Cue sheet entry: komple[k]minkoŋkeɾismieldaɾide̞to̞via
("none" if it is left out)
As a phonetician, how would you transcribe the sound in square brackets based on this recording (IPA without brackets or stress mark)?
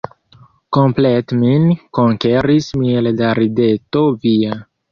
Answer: t